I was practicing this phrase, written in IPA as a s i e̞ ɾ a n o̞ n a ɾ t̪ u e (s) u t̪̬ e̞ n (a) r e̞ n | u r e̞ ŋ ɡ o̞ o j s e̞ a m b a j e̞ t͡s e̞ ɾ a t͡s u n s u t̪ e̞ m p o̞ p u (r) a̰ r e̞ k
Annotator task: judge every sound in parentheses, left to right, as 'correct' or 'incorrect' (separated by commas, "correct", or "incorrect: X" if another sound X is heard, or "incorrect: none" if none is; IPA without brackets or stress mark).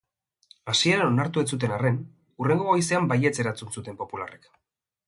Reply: incorrect: t͡s, correct, incorrect: l